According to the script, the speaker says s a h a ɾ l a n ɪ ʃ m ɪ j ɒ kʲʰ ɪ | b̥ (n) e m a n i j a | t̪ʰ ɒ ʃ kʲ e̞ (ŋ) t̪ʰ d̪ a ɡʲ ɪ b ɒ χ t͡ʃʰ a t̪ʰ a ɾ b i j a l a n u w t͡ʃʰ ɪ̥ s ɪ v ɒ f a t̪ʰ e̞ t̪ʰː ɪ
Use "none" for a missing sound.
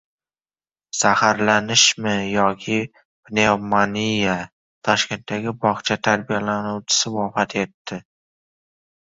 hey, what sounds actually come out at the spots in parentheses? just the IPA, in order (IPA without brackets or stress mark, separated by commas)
n, n